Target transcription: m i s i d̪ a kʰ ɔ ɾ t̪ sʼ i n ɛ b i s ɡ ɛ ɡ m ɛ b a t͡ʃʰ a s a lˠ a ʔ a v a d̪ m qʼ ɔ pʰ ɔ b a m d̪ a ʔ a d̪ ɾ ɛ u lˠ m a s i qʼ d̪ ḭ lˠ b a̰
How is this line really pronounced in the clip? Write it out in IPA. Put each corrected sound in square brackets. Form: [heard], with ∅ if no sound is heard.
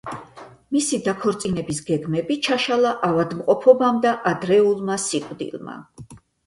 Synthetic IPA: m i s i d̪ a kʰ ɔ ɾ t̪ sʼ i n ɛ b i s ɡ ɛ ɡ m ɛ b [i] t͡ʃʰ a [ʃ] a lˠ a ʔ a v a d̪ m qʼ ɔ pʰ ɔ b a m d̪ a ʔ a d̪ ɾ ɛ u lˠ m a s i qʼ d̪ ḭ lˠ [m] a̰